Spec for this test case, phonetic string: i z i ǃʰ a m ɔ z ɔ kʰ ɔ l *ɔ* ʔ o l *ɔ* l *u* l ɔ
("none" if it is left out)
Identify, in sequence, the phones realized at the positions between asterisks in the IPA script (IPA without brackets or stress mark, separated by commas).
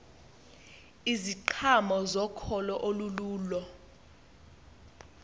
ɔ, u, uː